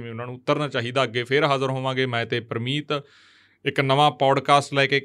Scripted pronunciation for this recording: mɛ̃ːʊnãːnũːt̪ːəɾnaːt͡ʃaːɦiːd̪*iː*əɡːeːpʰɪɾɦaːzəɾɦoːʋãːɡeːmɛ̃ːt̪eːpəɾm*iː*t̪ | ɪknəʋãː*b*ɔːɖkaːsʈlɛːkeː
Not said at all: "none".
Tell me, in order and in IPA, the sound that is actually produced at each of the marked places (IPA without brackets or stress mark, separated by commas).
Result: aː, iː, p